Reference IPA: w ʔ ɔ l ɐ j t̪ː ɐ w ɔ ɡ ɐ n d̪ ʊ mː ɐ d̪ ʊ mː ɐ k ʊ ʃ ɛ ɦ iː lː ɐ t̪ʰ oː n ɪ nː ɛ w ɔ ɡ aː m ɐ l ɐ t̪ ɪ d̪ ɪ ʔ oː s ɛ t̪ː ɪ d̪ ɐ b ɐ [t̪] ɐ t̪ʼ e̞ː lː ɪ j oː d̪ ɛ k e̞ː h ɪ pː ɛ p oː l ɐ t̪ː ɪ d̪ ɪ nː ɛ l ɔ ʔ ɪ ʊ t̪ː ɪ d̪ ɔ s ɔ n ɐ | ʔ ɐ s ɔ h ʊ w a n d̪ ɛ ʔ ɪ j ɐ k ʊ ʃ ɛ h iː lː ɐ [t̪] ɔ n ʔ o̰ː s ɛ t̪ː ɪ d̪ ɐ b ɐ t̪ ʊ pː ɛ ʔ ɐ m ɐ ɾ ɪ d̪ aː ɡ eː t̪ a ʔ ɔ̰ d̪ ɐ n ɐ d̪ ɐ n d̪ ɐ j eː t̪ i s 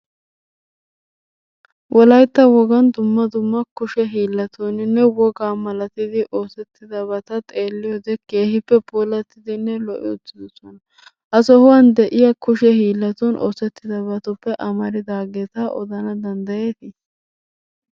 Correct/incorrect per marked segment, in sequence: correct, correct

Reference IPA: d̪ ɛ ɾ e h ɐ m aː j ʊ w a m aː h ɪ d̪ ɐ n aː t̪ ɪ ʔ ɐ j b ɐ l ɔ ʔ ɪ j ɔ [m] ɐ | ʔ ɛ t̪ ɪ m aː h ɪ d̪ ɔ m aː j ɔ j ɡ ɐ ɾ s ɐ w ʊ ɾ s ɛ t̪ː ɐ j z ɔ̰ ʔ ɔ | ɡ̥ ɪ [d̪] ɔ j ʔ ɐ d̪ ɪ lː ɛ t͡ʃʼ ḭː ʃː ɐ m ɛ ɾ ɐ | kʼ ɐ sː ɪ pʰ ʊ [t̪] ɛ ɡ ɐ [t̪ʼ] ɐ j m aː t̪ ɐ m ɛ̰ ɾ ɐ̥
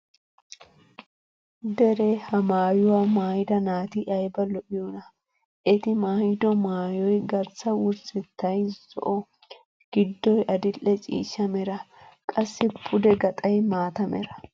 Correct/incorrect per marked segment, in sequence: incorrect: n, incorrect: d̪ː, incorrect: d̪, correct

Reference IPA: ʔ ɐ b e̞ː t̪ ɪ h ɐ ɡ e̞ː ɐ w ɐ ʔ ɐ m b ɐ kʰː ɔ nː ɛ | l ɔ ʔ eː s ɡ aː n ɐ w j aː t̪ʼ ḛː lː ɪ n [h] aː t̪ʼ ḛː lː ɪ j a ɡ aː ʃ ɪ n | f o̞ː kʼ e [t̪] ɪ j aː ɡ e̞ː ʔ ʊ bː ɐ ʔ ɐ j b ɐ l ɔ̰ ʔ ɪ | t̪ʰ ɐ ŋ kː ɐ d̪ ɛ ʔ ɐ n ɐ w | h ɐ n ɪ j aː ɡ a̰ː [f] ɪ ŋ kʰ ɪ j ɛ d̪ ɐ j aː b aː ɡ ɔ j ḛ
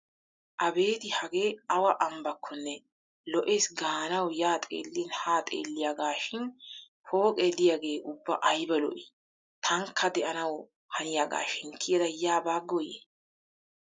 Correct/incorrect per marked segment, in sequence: correct, incorrect: d̪, incorrect: ʃ

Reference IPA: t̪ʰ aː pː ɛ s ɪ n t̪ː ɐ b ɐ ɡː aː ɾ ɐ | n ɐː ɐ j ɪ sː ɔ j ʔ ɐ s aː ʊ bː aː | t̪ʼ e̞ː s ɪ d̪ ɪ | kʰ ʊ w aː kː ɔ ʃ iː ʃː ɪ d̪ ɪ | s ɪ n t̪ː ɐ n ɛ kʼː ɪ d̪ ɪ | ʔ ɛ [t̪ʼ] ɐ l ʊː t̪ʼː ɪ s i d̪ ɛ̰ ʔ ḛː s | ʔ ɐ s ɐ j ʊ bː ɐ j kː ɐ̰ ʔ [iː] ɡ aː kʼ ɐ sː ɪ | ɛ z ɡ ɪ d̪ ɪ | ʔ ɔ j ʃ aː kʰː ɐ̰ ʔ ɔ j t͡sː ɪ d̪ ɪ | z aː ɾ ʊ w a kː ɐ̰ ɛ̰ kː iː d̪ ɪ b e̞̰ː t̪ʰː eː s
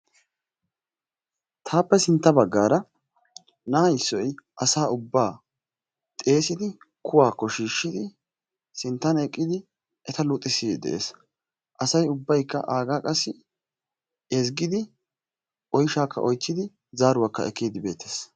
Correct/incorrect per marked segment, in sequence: incorrect: t̪, incorrect: aː

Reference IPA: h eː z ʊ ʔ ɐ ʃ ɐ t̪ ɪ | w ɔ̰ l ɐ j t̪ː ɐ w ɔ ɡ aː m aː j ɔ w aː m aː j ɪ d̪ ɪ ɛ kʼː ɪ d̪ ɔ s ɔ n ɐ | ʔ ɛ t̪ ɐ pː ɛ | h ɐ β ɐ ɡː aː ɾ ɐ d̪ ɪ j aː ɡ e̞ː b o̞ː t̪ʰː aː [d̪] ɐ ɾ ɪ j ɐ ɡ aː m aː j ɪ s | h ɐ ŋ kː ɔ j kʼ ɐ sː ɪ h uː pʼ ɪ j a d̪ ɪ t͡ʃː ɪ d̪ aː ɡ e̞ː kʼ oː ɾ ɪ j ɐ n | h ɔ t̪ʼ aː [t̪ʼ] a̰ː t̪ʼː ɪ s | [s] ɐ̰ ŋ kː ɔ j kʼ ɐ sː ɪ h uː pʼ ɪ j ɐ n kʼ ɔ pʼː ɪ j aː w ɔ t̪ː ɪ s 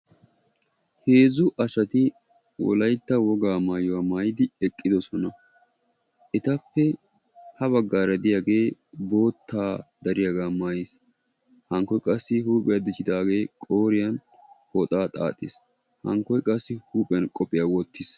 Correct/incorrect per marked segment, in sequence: correct, correct, incorrect: h

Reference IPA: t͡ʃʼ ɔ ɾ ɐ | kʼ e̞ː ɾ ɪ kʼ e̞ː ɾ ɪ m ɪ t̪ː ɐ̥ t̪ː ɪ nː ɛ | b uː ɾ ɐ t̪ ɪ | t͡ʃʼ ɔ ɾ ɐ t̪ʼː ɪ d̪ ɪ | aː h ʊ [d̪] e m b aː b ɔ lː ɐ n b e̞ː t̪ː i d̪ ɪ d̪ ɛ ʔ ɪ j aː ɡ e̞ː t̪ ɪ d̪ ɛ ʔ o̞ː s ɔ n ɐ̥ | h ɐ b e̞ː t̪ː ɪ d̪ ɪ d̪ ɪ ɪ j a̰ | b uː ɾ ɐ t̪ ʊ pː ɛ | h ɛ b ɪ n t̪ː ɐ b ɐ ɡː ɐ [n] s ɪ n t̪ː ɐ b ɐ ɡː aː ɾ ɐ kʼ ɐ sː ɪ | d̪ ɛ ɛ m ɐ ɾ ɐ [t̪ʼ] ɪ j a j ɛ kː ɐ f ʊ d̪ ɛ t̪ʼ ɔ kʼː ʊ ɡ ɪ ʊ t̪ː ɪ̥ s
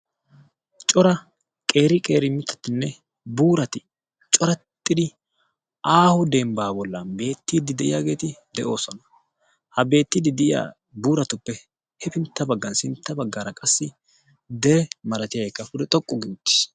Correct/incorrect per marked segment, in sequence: correct, correct, incorrect: t̪

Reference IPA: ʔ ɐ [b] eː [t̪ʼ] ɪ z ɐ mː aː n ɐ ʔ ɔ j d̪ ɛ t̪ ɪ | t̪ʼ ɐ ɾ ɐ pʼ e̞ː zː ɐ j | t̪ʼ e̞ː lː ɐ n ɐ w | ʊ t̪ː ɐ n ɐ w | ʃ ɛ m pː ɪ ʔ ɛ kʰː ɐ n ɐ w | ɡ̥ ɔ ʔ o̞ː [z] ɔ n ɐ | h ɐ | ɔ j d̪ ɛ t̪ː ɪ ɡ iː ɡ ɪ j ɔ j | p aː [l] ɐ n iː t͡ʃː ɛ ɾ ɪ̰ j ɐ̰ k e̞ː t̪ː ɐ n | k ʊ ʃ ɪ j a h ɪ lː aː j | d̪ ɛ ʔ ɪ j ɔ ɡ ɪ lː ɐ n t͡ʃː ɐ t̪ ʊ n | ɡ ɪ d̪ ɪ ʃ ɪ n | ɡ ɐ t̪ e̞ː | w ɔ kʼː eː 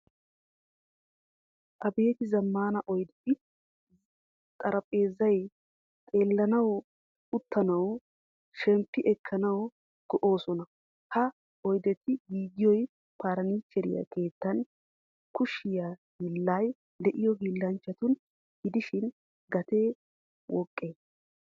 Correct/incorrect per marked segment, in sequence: correct, incorrect: t̪, incorrect: s, incorrect: ɾ

